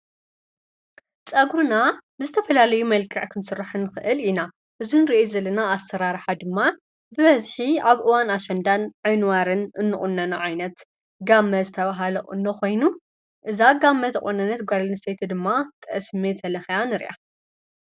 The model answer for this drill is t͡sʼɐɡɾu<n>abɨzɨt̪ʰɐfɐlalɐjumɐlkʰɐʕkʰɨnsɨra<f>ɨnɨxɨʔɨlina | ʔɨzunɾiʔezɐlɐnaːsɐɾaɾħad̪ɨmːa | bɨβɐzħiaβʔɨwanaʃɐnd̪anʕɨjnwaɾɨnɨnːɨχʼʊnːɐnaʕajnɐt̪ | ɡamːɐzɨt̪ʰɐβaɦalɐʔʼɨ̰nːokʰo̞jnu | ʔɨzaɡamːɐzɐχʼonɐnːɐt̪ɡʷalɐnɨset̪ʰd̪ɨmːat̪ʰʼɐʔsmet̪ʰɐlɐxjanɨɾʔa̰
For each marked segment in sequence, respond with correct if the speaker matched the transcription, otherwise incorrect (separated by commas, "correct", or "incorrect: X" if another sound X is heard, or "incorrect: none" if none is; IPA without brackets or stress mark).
correct, incorrect: ħ